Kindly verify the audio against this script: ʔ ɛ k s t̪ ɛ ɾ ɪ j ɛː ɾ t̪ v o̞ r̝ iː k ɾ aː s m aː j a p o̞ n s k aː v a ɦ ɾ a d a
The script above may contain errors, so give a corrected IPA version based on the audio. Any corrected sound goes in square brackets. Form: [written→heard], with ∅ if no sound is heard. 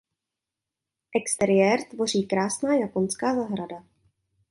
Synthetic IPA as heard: ʔ ɛ k s t̪ ɛ ɾ ɪ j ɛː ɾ t̪ v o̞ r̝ iː k ɾ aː s [m→n] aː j a p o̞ n s k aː [v→z] a ɦ ɾ a d a